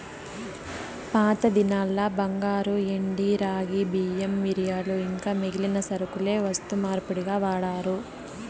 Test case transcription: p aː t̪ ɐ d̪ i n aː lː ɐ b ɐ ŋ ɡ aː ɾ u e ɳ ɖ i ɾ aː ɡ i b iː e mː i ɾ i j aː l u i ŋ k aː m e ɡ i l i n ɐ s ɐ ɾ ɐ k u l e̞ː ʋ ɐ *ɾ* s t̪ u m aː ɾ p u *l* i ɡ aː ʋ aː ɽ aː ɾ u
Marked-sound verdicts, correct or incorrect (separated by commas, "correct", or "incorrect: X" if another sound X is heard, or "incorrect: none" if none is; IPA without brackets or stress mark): incorrect: none, incorrect: ɽ